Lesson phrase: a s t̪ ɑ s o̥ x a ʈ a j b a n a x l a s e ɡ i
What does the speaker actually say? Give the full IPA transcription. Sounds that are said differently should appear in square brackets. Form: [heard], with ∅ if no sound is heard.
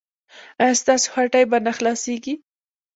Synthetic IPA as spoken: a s t̪ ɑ s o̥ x a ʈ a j b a n a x l [ɑ] s e ɡ i